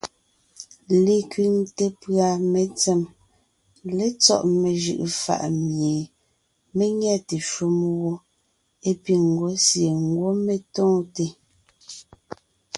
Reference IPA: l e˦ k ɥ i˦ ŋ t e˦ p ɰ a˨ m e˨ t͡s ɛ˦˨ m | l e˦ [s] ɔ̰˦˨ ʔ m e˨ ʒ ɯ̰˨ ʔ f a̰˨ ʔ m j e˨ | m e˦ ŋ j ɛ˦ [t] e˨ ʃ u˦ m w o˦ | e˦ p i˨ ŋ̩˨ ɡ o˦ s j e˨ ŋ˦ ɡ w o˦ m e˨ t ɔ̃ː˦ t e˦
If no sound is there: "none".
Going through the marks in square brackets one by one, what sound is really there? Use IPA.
t͡s, t

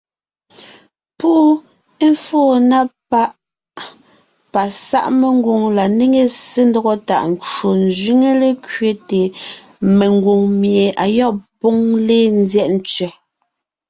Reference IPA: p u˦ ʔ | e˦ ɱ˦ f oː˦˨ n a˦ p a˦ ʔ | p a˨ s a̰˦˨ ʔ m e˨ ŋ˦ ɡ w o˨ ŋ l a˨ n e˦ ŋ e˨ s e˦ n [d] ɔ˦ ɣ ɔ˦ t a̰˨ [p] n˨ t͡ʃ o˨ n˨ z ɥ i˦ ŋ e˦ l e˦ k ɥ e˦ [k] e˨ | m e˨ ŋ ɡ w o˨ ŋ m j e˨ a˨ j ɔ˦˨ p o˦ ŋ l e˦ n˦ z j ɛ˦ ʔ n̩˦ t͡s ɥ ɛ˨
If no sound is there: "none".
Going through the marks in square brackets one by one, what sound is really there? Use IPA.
d, ʔ, t

